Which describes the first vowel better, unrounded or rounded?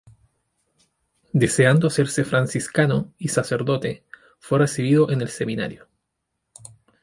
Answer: unrounded